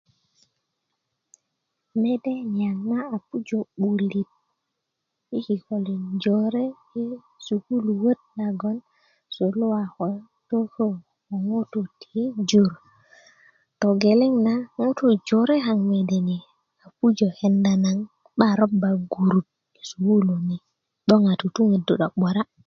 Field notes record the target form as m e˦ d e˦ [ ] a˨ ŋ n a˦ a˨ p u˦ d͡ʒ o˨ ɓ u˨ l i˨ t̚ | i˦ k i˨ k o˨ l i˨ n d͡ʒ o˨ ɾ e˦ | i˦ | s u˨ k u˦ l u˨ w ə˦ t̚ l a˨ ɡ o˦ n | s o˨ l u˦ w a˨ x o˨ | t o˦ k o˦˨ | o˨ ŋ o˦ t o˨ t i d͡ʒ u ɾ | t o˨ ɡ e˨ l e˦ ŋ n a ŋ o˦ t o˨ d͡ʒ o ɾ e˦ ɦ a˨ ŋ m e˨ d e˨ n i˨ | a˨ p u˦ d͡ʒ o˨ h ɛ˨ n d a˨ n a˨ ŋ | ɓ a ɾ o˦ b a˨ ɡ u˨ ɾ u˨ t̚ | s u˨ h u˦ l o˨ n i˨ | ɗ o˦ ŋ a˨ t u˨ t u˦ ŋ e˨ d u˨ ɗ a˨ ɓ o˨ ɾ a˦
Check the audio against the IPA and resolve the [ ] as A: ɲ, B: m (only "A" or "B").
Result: A